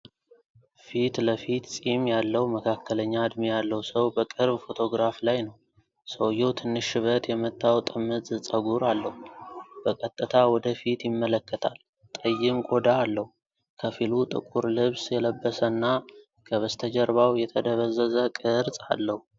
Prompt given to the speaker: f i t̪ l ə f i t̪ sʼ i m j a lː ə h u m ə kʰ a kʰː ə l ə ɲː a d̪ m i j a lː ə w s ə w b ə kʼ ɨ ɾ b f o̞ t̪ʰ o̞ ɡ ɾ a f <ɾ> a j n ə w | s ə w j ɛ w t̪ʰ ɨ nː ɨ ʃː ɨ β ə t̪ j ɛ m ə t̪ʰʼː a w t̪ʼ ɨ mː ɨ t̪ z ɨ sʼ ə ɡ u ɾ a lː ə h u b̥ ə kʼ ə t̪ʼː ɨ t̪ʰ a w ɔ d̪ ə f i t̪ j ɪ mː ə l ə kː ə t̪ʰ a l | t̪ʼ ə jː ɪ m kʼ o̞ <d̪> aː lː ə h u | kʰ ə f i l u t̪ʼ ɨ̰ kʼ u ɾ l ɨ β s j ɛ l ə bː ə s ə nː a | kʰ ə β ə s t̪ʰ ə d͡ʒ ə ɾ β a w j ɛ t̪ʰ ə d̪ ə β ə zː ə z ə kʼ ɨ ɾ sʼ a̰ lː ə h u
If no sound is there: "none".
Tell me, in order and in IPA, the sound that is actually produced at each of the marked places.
l, d̪

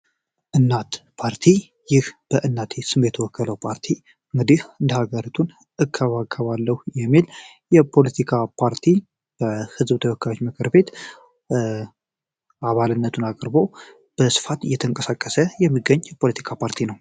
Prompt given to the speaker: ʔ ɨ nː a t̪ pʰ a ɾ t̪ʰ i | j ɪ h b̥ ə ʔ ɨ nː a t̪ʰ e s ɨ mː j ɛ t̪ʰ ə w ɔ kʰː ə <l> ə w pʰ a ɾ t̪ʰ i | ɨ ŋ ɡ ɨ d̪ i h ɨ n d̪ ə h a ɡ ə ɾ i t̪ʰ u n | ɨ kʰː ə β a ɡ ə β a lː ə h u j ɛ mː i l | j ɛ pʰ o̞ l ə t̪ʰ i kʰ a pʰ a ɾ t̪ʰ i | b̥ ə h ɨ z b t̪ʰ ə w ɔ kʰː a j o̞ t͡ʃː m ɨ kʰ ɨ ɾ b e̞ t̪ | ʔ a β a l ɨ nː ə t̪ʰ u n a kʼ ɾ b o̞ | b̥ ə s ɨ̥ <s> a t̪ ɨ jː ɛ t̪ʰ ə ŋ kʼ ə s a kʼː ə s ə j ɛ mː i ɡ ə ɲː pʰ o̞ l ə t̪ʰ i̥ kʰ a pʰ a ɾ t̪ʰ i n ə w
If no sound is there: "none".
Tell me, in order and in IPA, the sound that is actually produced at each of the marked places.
l, f

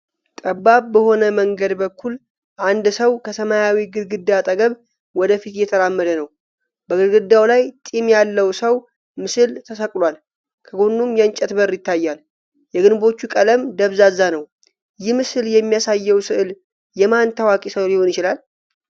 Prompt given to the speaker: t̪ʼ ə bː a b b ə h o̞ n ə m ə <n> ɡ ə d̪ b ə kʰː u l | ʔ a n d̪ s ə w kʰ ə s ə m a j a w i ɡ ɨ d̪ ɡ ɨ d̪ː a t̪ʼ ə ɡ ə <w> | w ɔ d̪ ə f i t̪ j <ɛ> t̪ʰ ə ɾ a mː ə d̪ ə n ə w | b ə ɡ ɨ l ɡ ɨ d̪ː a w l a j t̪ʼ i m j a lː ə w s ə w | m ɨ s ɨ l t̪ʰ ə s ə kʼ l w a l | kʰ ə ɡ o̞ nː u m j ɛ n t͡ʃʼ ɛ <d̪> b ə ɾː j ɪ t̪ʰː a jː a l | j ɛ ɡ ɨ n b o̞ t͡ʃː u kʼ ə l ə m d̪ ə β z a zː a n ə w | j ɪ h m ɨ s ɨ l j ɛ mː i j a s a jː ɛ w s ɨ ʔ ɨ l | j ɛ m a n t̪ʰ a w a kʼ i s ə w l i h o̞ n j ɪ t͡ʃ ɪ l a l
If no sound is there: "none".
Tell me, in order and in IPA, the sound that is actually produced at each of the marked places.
ŋ, β, ɛ, t̪

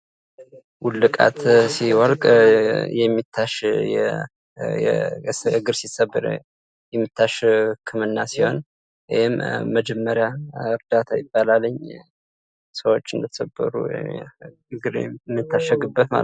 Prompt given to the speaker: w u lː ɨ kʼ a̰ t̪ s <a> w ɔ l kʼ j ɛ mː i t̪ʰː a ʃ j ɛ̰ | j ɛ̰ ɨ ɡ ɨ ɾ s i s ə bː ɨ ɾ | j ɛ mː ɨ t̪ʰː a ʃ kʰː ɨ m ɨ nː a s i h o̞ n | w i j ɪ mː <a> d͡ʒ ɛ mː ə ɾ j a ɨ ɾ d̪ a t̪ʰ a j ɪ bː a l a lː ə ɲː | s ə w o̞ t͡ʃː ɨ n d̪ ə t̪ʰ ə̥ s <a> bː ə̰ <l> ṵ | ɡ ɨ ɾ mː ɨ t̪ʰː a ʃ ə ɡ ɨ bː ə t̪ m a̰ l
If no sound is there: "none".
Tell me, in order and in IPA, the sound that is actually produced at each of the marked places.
i, ə, ə, ɾ

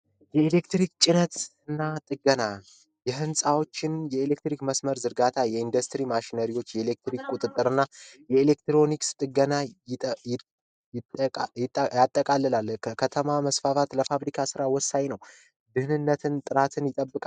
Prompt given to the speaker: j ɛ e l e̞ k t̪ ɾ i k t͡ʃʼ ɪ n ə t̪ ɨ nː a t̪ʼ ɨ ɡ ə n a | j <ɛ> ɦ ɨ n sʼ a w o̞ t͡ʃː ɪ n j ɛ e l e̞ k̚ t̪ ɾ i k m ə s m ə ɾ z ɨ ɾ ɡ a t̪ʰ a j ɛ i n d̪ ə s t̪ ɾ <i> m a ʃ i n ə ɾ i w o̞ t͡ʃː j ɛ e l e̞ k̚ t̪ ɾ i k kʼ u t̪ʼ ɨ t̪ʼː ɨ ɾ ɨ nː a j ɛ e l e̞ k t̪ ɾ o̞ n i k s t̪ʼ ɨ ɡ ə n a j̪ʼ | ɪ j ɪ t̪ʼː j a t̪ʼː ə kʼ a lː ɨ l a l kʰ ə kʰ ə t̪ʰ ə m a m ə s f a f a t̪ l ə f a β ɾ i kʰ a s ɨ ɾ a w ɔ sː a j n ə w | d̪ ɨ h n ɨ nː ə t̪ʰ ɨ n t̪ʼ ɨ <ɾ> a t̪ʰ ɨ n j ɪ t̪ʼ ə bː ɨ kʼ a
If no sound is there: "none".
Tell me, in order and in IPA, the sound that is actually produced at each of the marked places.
ɛ, i, ɾ

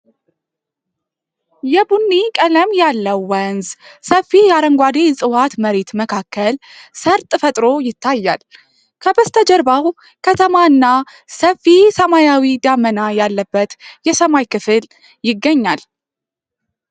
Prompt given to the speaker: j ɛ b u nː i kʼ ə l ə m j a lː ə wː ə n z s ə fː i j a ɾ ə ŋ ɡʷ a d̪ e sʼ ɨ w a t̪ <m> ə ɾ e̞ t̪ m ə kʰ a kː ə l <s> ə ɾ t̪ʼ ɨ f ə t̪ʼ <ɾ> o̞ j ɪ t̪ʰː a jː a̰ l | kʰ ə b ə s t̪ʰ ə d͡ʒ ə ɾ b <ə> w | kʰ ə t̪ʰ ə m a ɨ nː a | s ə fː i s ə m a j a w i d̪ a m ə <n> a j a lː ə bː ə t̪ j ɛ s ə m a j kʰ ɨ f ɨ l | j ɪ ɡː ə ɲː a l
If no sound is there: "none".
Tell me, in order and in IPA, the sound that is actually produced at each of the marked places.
m, s, ɾ, a, n

